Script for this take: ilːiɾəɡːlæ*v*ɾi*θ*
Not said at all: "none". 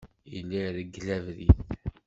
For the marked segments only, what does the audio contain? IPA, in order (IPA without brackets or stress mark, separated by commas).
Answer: v, θ